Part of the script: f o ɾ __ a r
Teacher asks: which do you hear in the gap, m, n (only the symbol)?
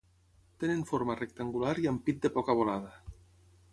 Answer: m